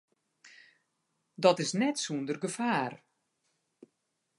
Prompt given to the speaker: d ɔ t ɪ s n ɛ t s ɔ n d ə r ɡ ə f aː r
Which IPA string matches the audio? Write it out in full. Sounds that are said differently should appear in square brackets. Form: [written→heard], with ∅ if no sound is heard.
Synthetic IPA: d ɔ t ɪ s n ɛ t s [ɔ→u] n d ə r ɡ ə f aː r

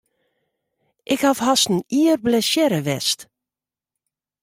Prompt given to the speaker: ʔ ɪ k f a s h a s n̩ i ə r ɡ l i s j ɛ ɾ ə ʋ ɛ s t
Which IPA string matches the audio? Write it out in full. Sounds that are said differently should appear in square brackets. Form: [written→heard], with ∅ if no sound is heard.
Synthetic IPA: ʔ ɪ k [f→h] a [s→f] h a s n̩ i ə r [ɡ→b] l [i→ɛ] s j ɛ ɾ ə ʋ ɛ s t

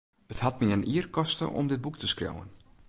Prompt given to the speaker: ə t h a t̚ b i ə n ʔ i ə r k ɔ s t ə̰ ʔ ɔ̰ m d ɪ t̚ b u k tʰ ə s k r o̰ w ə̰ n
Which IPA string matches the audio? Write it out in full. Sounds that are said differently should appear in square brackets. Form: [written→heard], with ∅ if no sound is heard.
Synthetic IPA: ə t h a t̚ [b→m] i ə n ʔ i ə r k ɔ s t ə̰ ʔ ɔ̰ m d ɪ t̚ b u k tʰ ə s k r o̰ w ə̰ n

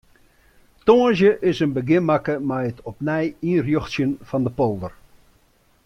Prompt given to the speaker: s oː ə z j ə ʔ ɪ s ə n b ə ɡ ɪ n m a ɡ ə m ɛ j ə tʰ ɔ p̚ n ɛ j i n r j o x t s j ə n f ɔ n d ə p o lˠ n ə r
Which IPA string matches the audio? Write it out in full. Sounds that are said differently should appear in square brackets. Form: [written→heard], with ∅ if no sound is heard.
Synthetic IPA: [s→t] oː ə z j ə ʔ ɪ s ə n b ə ɡ ɪ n m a [ɡ→k] ə m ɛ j ə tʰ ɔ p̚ n ɛ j i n r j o x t s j ə n f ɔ n d ə p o lˠ [n→d] ə r

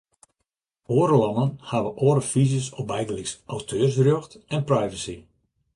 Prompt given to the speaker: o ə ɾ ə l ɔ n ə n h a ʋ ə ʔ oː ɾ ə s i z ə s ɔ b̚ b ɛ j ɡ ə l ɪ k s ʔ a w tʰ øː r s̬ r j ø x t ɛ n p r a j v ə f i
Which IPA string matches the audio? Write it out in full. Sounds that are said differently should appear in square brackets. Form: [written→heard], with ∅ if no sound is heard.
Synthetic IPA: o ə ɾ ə l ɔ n ə n h a ʋ ə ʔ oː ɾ ə [s→f] i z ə s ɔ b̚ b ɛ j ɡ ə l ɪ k s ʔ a w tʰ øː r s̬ r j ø x t ɛ n p r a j v ə [f→s] i

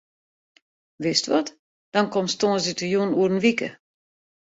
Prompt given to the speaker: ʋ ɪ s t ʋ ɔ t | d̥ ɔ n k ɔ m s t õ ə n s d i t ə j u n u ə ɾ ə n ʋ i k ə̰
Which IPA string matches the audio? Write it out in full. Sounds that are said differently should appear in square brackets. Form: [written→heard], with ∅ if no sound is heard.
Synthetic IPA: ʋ ɪ s t ʋ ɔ t | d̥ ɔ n k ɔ m s t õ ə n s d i t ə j u n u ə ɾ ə n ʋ i k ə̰

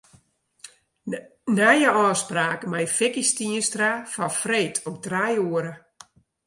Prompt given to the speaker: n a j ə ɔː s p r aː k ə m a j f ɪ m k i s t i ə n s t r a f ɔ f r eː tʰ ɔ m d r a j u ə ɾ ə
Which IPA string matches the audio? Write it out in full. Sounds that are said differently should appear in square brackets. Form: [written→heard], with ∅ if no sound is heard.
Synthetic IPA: n a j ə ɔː s p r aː k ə m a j f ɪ [m→∅] k i s t i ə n s t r a f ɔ f r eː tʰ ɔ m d r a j u ə ɾ ə

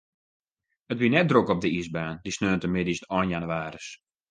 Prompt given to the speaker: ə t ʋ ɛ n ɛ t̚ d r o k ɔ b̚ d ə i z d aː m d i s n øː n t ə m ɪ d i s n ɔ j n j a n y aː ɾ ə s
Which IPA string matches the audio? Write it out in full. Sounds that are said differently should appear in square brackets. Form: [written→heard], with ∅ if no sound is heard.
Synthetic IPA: ə t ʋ [ɛ→i] n ɛ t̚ d r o k ɔ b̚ d ə i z [d→b] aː [m→n] d i s n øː n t ə m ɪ d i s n ɔ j n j a n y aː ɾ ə s

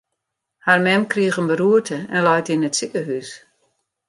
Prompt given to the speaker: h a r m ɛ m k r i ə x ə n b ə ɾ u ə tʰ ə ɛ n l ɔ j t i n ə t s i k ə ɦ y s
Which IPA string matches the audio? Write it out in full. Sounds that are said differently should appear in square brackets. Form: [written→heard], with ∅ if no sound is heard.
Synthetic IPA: h a r m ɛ m k r i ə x ə n b ə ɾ u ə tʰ ə ɛ n l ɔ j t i n ə t s i k ə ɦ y s

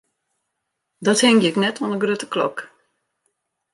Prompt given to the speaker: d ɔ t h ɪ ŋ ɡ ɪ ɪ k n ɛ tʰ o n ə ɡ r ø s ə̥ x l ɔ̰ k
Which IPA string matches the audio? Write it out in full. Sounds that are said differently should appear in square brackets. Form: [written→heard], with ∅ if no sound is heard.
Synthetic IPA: d ɔ t h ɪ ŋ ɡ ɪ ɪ k n ɛ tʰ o n ə ɡ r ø [s→t] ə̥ [x→k] l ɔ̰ k

